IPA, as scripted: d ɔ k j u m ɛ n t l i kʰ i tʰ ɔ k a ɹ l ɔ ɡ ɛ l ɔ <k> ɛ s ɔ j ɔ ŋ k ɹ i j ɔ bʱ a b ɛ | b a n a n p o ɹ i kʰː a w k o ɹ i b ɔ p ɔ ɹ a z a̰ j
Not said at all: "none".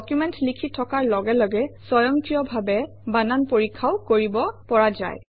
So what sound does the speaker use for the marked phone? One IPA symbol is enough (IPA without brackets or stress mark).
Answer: ɡ